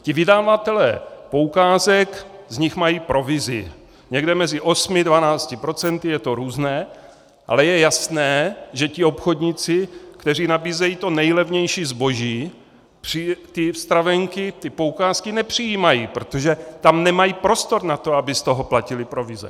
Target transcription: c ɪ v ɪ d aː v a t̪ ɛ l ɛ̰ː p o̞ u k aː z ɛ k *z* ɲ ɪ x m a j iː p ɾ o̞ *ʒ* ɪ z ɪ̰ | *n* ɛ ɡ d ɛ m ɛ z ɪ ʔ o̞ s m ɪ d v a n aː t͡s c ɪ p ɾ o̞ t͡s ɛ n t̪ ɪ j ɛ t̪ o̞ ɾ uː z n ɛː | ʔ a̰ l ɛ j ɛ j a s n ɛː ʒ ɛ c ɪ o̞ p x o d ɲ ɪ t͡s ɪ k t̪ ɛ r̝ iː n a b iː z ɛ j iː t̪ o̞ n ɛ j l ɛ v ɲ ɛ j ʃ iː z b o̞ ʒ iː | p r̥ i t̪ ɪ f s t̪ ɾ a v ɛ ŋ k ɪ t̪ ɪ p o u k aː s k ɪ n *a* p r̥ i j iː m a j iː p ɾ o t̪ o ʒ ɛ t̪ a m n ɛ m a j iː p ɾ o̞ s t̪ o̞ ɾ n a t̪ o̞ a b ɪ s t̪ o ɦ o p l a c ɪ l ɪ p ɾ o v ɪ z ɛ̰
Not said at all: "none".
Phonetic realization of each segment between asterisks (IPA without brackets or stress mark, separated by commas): z, v, ɲ, ɛ